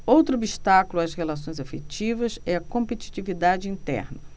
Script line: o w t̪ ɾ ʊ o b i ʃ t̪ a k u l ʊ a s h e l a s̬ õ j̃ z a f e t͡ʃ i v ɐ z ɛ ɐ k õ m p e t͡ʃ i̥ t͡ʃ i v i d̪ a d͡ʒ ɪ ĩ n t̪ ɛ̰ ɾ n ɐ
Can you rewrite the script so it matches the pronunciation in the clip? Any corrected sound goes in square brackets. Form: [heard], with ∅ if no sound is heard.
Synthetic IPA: o w t̪ ɾ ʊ o b i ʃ t̪ a k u l ʊ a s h e l a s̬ õ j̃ z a f e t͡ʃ i v ɐ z ɛ ɐ k õ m p e t͡ʃ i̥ t͡ʃ i v i d̪ a d͡ʒ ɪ ĩ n t̪ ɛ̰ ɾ n ɐ